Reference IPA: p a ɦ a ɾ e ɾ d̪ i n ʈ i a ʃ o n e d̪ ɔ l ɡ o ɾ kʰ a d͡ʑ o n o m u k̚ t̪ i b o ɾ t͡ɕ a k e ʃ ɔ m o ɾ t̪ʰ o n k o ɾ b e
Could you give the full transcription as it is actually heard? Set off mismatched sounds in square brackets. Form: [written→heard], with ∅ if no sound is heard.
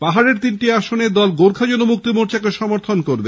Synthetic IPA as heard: p a ɦ a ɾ e ɾ [d̪→t̪] i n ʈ i a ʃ o n e d̪ ɔ l ɡ o ɾ kʰ a d͡ʑ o n o m u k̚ t̪ i [b→m] o ɾ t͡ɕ a k e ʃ ɔ m o ɾ t̪ʰ o n k o ɾ b e